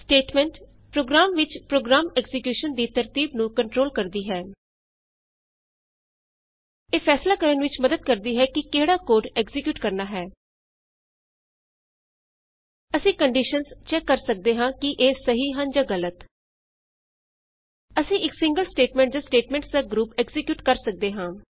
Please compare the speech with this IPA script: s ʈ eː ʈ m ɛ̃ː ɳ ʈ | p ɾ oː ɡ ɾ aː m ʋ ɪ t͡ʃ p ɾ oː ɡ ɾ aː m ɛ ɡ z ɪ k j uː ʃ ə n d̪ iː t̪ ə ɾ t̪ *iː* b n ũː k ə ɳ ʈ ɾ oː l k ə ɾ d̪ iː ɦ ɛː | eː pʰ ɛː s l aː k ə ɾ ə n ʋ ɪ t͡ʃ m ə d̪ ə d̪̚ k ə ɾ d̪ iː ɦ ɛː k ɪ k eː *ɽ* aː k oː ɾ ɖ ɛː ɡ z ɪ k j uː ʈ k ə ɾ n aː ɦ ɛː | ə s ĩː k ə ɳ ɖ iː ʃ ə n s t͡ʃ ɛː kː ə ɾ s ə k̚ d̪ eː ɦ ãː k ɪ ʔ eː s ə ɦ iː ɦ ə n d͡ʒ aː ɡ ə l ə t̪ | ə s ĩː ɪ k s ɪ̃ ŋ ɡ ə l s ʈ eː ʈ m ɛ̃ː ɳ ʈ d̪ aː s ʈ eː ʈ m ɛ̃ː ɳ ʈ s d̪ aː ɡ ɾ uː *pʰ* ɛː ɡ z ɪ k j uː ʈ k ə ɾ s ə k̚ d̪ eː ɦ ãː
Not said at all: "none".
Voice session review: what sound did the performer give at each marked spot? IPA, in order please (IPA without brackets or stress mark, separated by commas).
iː, ɽ, p